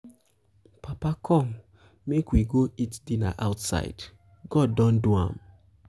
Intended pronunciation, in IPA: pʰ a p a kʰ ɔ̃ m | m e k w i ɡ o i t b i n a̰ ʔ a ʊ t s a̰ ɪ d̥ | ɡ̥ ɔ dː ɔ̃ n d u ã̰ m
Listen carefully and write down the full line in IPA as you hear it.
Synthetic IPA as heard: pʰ a p a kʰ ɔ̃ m | m e k w i ɡ o i t d i n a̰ ʔ a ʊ t s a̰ ɪ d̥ | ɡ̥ ɔ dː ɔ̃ n d u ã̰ m